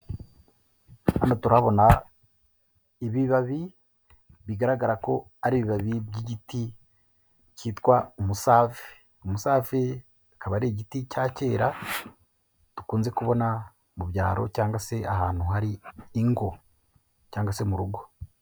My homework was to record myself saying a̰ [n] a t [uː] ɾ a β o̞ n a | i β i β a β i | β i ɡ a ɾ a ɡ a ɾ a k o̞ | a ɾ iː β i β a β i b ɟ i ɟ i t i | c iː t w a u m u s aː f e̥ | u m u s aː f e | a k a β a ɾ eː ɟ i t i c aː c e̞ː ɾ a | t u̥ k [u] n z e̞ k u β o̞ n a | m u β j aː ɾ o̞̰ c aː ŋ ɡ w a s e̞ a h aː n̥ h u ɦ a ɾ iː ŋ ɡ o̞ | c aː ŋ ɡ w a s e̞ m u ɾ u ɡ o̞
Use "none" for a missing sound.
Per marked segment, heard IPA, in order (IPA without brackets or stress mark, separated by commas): n, u, uː